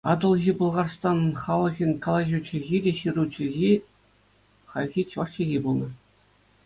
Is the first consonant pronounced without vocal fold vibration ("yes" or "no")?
no